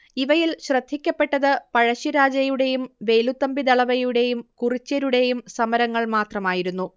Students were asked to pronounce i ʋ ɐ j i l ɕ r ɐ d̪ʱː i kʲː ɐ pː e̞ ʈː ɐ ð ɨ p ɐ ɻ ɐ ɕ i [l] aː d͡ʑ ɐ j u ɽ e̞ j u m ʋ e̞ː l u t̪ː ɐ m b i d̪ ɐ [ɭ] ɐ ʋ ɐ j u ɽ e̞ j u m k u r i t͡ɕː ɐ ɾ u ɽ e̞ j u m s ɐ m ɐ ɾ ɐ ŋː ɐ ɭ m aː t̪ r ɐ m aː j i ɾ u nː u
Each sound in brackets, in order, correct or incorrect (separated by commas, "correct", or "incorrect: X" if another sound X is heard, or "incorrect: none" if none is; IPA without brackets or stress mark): incorrect: ɾ, correct